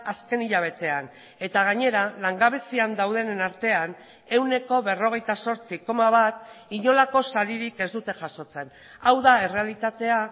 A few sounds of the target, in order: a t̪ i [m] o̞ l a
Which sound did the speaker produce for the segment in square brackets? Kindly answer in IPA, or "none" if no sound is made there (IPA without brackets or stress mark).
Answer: ɲ